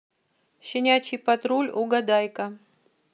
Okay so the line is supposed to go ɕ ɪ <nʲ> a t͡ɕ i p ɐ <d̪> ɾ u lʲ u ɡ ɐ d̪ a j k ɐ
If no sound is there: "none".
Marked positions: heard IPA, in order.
nʲ, t̪

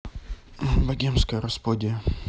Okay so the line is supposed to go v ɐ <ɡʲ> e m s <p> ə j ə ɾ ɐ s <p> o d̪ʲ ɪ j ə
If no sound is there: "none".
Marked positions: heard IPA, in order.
ɡʲ, k, p

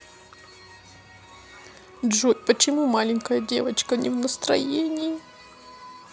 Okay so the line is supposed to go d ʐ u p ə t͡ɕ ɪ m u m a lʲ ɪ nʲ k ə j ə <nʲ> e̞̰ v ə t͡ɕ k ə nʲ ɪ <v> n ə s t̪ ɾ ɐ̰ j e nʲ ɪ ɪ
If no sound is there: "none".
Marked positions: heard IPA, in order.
dʲ, v

